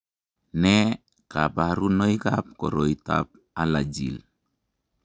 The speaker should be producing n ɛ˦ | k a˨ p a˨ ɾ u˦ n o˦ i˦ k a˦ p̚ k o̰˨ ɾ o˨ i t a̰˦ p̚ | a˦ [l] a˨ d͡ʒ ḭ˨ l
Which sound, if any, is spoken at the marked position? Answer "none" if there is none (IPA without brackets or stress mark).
l